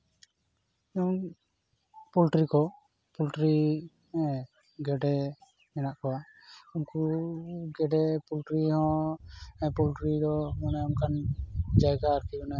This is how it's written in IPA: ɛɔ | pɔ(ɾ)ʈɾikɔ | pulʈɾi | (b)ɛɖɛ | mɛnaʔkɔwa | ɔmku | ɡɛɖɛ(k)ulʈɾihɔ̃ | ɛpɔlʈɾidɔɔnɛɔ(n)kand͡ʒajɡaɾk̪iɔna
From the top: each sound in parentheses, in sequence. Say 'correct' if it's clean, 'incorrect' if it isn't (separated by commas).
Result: incorrect, incorrect, incorrect, incorrect